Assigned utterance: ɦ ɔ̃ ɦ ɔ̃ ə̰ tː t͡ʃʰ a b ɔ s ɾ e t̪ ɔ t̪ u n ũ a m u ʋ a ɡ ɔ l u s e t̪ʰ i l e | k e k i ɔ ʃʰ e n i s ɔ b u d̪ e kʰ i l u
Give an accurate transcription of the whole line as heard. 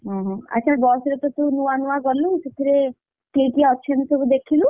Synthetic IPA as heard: ɦ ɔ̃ ɦ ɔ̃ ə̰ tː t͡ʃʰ a b ɔ s ɾ e t̪ ɔ t̪ u n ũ a n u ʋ a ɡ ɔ l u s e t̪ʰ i ɾ e | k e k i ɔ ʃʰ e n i s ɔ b u d̪ e kʰ i l u

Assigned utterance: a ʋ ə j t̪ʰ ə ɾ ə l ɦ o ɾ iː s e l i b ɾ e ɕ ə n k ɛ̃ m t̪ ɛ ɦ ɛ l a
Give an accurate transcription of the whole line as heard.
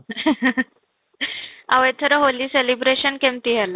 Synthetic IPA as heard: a ʋ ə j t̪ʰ ə ɾ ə ɦ o l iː s e l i b ɾ e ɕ ə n k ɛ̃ m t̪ i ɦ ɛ l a

